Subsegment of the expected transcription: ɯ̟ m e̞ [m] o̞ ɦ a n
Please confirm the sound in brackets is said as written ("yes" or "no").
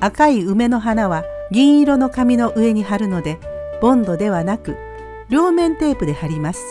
no